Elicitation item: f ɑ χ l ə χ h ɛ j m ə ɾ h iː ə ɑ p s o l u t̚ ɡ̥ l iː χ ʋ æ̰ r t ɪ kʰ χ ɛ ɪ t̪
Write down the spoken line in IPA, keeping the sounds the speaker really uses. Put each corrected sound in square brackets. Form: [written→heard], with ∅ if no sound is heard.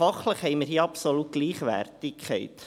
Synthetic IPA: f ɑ χ l ə χ h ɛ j m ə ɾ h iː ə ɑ p s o l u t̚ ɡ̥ l iː χ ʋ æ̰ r t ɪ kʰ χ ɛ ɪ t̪